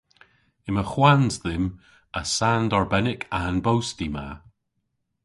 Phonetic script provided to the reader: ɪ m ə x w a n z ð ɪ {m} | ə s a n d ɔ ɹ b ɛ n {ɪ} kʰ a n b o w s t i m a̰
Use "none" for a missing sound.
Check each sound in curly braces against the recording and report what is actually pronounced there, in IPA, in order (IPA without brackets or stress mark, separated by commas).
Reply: m, ɪ